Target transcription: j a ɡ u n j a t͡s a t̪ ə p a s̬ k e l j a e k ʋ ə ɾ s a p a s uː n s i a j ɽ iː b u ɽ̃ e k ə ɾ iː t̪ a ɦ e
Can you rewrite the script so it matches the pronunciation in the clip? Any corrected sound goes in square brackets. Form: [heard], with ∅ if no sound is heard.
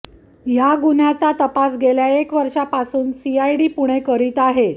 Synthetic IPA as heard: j a ɡ u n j a t͡s a t̪ ə p a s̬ [ɡ] e l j a e k ʋ ə ɾ [ʂ] a p a s uː n s i a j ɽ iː [p] u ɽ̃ e k ə ɾ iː t̪ a ɦ e